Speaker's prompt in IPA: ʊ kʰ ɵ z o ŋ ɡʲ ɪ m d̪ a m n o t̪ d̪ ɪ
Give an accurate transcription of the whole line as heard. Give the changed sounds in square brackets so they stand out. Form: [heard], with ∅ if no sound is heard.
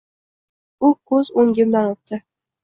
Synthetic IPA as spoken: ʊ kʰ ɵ z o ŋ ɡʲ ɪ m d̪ a [∅] n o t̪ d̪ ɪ